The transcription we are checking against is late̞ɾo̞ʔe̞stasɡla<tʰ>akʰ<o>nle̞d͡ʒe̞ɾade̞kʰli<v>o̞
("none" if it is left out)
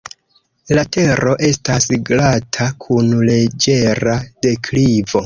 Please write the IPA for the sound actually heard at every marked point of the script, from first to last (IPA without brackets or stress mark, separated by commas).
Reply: tʰ, u, v